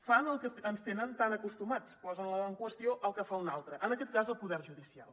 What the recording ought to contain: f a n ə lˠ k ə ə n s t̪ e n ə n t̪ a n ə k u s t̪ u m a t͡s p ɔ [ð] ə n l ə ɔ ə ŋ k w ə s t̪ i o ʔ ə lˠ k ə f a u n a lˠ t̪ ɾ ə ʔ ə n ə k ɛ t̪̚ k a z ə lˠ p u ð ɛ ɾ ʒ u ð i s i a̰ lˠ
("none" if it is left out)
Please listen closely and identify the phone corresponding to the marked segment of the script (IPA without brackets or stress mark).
z